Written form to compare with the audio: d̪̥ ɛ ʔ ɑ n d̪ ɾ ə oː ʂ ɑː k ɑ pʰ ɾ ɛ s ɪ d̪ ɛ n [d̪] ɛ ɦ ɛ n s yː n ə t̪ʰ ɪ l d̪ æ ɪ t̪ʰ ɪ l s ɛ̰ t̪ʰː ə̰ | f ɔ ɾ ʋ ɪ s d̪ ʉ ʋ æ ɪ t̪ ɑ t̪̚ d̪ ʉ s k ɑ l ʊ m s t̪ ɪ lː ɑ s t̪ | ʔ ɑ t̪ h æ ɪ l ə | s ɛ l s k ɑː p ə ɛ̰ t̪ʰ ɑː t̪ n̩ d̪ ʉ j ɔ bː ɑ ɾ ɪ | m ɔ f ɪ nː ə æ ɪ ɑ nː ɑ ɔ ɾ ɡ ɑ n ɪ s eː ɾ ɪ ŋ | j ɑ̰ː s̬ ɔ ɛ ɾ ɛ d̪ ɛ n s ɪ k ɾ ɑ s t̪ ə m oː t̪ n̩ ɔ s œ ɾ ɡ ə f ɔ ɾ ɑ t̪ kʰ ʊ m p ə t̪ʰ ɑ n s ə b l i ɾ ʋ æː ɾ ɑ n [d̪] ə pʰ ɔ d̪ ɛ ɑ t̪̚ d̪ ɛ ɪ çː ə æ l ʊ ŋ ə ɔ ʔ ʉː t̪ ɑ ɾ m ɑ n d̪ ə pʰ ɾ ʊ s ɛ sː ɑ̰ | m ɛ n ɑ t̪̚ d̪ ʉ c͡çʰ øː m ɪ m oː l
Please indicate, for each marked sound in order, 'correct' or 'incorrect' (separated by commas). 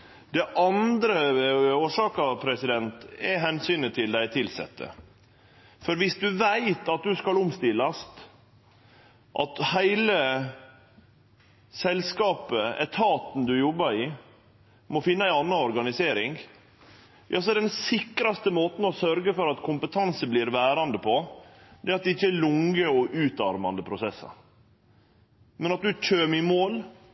incorrect, correct